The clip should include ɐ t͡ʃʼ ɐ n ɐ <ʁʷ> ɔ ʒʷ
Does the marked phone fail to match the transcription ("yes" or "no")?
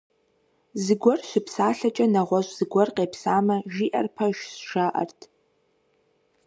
no